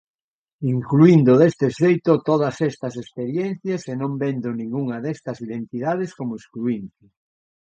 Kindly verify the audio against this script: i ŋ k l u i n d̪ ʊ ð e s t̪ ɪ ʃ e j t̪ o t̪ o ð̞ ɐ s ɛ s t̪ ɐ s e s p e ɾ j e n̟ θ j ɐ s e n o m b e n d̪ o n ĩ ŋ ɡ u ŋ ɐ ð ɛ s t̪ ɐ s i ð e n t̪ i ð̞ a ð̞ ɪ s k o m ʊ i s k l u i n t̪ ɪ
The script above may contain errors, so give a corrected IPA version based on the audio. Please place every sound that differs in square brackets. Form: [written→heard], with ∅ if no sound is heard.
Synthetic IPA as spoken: i ŋ k l u i n d̪ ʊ ð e s t̪ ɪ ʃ e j t̪ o t̪ o ð̞ ɐ s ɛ s t̪ ɐ s e s p e ɾ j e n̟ θ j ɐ s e n [o→õ] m b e n d̪ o n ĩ ŋ ɡ u ŋ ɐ ð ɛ s t̪ ɐ s i ð e n t̪ i ð̞ a ð̞ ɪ s k o m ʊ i s k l u i n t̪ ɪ